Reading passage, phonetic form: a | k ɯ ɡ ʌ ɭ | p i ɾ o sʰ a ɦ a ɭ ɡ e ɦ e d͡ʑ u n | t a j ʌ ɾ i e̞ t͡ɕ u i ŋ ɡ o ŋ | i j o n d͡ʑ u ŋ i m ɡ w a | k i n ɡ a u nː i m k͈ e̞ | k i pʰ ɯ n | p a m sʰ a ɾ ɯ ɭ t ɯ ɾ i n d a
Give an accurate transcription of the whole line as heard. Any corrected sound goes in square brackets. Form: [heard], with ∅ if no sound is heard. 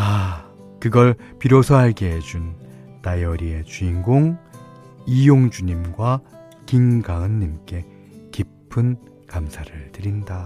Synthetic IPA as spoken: a | k ɯ ɡ ʌ ɭ | p i ɾ o sʰ [ʌ] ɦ a ɭ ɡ e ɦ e d͡ʑ u n | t a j ʌ ɾ i e̞ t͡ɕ u i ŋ ɡ o ŋ | i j o [ŋ] d͡ʑ u [ɲ] i m ɡ w a | k i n ɡ a [ɯ] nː i m k͈ e̞ | k i pʰ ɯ n | [k] a m sʰ a ɾ ɯ ɭ t ɯ ɾ i n d a